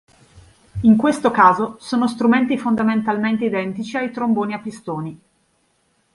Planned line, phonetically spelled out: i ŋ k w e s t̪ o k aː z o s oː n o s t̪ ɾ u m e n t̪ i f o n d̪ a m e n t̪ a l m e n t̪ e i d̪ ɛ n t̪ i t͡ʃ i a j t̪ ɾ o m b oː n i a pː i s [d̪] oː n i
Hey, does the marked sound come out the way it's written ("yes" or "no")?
no